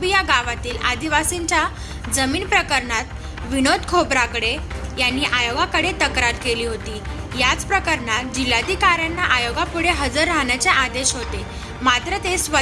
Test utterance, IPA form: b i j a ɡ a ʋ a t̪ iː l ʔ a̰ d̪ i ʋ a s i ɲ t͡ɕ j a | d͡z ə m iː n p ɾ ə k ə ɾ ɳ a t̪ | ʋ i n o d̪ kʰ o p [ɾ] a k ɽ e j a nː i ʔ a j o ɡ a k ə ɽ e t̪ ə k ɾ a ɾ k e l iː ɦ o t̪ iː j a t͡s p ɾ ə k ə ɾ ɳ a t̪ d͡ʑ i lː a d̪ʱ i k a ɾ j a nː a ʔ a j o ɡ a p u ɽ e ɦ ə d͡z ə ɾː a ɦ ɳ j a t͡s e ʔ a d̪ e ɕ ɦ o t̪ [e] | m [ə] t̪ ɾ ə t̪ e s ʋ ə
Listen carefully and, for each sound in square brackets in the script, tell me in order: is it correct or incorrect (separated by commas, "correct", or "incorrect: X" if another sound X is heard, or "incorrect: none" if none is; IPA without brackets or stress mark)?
correct, correct, incorrect: a